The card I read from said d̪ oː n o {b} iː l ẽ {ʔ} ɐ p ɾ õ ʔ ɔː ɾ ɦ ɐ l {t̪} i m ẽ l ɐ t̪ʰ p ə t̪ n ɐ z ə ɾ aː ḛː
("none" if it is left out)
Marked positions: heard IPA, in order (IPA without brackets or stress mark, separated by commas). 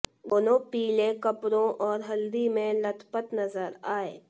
p, k, d̪